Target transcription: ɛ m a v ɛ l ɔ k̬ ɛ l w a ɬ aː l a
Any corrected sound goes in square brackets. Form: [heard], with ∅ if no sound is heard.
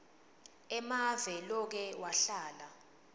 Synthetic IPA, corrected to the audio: ɛ m a v ɛ l ɔ k̬ ɛ [∅] w a ɬ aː l a